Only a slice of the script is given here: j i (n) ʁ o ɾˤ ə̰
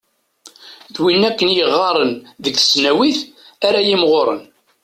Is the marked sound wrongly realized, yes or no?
yes